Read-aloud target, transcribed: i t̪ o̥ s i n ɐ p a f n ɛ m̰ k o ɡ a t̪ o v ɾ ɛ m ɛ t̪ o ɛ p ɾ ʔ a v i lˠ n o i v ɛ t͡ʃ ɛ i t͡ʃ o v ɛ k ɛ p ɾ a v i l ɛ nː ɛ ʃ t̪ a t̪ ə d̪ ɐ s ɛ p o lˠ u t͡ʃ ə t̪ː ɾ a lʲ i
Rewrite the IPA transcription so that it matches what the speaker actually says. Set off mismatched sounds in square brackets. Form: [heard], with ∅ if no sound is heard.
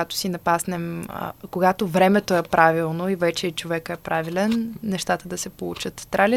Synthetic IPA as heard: [a] t̪ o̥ s i n ɐ p a [s] n ɛ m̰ k o ɡ a t̪ o v ɾ ɛ m ɛ t̪ o ɛ p ɾ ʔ a v i lˠ n o i v ɛ t͡ʃ ɛ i t͡ʃ o v ɛ k ɛ p ɾ a v i l ɛ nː ɛ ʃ t̪ a t̪ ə d̪ ɐ s ɛ p o lˠ u t͡ʃ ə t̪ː ɾ a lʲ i